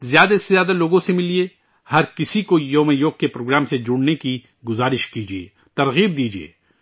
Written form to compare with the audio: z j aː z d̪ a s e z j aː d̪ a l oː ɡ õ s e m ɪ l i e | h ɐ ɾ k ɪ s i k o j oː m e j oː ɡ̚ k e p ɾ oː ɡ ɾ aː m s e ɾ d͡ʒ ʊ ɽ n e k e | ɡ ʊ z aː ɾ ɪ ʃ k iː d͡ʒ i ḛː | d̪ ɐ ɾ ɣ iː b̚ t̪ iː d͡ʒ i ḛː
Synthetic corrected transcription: z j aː d̪ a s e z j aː d̪ a l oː ɡ õ s e m ɪ l i e | h ɐ ɾ k ɪ s i k o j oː m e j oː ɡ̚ k e p ɾ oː ɡ ɾ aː m s e d͡ʒ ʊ ɽ n e k i | ɡ ʊ z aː ɾ ɪ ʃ k iː d͡ʒ i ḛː | t̪ ɐ ɾ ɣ iː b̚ d̪ iː d͡ʒ i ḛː